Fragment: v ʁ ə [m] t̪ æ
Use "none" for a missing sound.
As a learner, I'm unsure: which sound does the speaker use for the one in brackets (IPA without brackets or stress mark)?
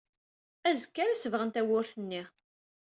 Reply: n